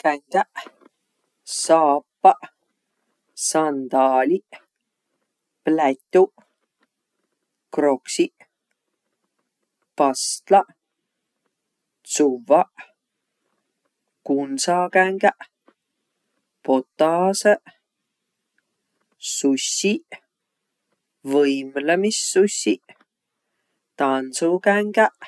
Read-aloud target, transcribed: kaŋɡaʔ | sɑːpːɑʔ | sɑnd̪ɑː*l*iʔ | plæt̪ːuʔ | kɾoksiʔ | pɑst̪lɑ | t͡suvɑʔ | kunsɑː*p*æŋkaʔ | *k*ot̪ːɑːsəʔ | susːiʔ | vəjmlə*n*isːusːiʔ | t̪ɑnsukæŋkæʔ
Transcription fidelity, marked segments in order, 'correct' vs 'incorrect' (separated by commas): correct, incorrect, incorrect, incorrect